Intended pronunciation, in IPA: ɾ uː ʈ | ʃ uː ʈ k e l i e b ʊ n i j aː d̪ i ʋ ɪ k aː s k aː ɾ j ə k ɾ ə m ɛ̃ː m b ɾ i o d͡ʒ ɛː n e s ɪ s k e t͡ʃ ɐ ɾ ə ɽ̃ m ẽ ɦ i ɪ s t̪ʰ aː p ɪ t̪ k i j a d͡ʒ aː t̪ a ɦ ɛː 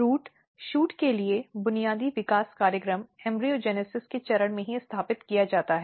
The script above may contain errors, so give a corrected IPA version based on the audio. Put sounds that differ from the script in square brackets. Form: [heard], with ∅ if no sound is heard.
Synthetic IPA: ɾ uː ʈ | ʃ uː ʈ k e l i e b ʊ n i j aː d̪ i ʋ ɪ k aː s k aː ɾ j ə k ɾ ə m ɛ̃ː m b ɾ i o d͡ʒ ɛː n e s ɪ s k e t͡ʃ ɐ ɾ ə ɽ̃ m ẽ ɦ i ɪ s t̪ʰ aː p ɪ t̪ k i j a d͡ʒ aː t̪ a ɦ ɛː